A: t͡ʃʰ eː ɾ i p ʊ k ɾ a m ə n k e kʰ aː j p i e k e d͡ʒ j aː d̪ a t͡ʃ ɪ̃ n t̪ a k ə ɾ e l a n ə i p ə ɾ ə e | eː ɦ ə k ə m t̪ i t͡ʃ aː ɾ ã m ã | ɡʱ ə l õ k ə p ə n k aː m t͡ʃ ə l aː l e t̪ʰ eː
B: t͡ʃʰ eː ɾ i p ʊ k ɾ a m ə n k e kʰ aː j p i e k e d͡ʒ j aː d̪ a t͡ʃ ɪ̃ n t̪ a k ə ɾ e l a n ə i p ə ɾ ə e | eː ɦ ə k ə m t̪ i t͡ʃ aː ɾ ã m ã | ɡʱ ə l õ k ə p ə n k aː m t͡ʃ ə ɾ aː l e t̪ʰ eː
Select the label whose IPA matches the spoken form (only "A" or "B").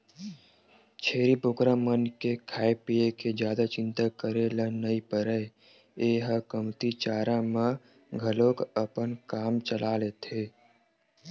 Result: A